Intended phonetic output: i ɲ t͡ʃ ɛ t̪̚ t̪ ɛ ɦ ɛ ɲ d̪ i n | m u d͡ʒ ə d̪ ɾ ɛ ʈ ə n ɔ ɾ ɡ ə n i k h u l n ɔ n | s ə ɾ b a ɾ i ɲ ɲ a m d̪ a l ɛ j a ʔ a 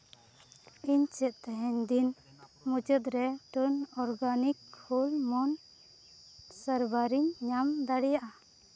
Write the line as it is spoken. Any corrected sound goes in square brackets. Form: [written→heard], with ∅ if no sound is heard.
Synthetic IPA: i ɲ t͡ʃ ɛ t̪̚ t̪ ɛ ɦ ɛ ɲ d̪ i n | m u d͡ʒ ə d̪ ɾ ɛ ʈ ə n ɔ ɾ ɡ [ə→a] n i k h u l [n→m] ɔ n | s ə ɾ b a ɾ i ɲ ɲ a m d̪ a [l→ɽ] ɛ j a ʔ a